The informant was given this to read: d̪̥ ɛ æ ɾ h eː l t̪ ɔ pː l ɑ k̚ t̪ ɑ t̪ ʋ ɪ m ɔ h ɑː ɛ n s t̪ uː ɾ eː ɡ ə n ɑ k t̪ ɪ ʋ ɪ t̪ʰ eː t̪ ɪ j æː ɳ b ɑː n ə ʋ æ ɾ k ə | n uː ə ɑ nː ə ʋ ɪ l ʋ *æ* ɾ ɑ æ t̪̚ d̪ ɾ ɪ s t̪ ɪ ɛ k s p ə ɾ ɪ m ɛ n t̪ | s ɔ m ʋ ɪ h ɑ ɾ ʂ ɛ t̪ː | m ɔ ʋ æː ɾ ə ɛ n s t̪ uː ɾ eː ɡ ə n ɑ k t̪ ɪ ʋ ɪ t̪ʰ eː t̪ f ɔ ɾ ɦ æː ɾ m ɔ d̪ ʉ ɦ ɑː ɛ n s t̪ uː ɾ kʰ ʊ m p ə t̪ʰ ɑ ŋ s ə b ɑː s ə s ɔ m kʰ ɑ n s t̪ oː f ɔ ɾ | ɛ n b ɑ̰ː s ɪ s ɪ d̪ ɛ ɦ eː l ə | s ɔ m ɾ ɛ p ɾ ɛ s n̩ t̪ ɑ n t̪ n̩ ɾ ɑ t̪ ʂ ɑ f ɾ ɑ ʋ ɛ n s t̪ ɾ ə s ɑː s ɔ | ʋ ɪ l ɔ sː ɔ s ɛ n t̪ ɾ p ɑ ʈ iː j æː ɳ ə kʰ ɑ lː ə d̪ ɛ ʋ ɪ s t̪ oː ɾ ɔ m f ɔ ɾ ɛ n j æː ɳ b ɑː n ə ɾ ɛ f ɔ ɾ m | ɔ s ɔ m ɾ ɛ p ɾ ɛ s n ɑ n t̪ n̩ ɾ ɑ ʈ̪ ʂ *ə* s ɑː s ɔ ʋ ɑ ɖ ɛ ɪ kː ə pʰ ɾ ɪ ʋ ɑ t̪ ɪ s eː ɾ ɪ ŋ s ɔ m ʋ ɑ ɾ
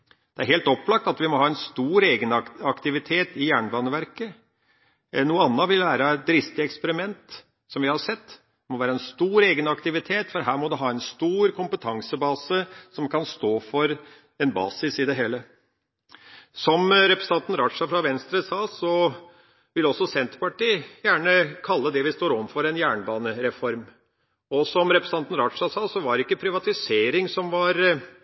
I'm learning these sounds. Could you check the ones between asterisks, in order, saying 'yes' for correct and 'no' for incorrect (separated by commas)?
no, no